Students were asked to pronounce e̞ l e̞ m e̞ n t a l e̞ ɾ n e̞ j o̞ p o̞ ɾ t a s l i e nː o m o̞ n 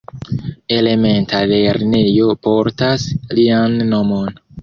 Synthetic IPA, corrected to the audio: e̞ l e̞ m e̞ n t a l e̞ ɾ n e̞ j o̞ p o̞ ɾ t a s l i a nː o m o̞ n